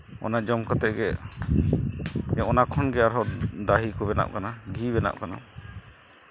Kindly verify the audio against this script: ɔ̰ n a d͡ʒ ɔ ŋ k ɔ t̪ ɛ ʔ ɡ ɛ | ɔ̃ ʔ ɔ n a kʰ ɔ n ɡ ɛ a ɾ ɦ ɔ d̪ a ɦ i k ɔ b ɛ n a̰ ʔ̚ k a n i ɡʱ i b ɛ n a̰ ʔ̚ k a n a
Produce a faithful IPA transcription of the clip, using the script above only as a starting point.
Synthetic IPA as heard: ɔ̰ n a d͡ʒ ɔ m k ɔ t̪ ɛ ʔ ɡ ɛ | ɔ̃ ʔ ɔ n a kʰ ɔ n ɡ ɛ a ɾ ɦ ɔ d̪ a ɦ i k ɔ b ɛ n a̰ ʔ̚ k a n a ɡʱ i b ɛ n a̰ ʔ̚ k a n a